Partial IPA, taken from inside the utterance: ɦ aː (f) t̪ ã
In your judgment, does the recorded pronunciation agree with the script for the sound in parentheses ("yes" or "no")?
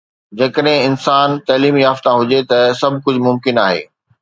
yes